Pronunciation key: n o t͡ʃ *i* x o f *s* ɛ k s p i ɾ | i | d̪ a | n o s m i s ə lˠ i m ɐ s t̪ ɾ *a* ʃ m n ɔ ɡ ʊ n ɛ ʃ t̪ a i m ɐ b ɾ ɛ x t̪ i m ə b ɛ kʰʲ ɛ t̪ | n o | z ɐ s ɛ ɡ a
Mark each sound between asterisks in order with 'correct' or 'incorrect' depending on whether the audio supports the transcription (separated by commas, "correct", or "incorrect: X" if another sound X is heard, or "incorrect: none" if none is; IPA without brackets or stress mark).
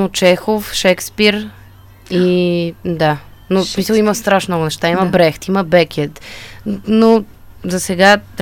incorrect: ɛ, incorrect: ʃ, correct